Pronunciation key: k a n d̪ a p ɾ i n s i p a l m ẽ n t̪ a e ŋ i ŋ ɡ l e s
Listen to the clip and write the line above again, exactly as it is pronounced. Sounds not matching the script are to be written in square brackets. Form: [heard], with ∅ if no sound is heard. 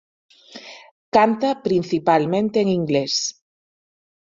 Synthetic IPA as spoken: k a n [t̪] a p ɾ i n [θ] i p a l m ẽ n t̪ [e] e ŋ i ŋ ɡ l e s